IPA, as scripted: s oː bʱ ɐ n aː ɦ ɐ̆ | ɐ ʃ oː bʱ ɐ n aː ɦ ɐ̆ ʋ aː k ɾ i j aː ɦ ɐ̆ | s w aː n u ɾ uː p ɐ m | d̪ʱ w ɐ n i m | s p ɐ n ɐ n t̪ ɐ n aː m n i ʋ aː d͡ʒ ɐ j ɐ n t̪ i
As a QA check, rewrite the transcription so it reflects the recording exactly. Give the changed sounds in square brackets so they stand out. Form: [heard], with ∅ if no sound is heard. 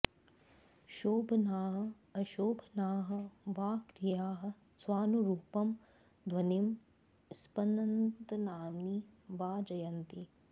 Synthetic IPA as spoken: [ʃ] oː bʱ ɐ n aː ɦ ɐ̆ | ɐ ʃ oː bʱ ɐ n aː ɦ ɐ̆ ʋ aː k ɾ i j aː ɦ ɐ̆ | s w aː n u ɾ uː p ɐ m | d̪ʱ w ɐ n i m | s p ɐ n ɐ n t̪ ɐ n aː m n i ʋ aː d͡ʒ ɐ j ɐ n t̪ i